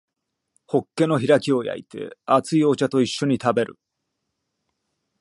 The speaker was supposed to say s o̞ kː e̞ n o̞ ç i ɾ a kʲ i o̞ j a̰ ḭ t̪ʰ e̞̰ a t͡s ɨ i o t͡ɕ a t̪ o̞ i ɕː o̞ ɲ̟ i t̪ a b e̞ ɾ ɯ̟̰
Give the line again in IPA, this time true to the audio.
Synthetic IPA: h o̞ kː e̞ n o̞ ç i ɾ a kʲ i o̞ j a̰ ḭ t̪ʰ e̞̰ a t͡s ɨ i o t͡ɕ a t̪ o̞ i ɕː o̞ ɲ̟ i t̪ a b e̞ ɾ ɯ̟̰